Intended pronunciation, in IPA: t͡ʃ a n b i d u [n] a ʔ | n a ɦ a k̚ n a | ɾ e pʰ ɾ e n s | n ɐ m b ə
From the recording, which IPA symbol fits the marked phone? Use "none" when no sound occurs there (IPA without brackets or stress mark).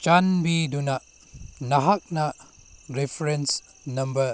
n